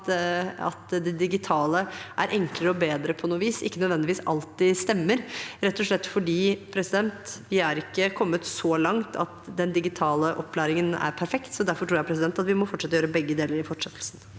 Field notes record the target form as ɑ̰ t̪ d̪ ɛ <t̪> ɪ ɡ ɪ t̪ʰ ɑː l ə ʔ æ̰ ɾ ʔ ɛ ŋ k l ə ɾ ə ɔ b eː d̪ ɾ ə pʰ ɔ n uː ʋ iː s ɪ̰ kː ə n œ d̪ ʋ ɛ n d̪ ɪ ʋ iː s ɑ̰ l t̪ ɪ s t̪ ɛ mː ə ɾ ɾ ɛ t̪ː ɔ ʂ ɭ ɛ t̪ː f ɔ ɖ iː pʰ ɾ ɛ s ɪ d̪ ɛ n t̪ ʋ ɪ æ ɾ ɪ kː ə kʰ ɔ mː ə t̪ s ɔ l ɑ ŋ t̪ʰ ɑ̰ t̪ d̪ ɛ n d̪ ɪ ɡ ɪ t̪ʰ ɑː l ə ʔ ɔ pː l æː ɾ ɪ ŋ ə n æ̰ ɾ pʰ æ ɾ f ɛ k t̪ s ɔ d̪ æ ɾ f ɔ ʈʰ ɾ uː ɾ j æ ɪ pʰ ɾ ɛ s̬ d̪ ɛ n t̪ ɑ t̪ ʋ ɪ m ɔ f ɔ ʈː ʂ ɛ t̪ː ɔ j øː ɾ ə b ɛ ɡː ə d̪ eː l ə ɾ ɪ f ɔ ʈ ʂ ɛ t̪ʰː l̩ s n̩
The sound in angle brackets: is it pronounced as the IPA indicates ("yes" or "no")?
no